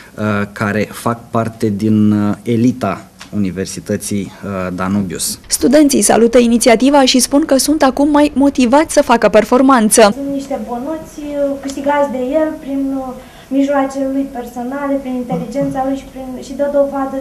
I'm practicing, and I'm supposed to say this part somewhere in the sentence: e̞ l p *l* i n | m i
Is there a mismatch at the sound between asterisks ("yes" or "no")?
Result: yes